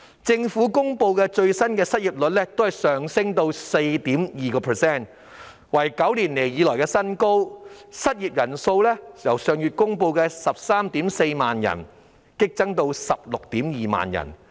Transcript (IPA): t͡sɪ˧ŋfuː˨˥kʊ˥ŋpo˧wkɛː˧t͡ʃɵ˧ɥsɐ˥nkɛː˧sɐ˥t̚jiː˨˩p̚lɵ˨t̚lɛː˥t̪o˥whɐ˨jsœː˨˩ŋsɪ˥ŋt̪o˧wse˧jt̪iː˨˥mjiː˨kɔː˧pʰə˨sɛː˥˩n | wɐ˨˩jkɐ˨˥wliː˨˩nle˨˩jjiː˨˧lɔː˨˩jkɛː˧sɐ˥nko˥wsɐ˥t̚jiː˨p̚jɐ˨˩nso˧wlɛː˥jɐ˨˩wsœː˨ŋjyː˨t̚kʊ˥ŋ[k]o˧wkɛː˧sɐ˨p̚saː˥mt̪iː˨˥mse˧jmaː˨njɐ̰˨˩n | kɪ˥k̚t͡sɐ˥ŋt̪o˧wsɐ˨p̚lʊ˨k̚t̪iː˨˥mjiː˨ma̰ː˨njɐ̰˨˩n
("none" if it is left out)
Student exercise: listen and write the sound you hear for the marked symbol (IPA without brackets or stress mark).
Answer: p